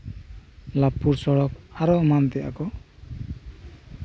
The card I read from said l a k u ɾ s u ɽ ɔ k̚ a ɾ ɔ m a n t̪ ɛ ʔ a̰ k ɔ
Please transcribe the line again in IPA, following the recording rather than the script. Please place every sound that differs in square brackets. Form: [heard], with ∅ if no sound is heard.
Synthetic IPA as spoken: l a [p] u ɾ s [ɔ] ɽ ɔ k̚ a ɾ ɔ m a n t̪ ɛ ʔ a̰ k ɔ